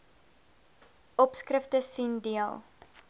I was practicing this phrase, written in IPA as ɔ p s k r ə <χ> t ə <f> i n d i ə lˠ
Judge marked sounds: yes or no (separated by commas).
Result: no, no